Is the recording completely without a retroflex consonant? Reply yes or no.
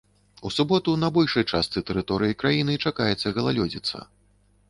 no